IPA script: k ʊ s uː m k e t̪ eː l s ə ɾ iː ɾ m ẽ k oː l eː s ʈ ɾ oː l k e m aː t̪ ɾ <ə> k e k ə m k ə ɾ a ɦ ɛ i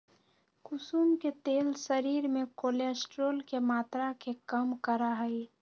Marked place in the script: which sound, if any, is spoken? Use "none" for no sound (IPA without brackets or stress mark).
a